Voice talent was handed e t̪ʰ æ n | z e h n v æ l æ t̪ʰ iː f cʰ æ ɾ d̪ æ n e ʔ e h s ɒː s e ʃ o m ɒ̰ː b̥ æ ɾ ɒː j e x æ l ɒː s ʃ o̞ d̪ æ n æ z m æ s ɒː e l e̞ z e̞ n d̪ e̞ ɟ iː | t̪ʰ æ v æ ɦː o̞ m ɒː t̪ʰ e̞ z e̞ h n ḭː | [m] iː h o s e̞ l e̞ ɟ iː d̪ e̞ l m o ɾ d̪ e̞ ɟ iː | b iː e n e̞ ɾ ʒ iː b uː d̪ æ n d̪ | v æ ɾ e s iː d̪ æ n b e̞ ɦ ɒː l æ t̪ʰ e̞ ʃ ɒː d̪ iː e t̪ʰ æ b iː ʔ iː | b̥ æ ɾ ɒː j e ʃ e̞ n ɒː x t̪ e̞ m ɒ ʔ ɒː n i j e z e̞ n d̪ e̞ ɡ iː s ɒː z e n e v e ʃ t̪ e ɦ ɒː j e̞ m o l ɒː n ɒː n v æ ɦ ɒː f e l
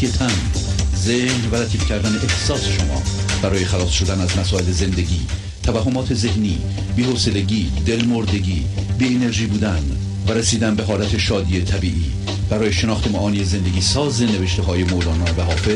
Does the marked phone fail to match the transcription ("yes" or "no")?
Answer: yes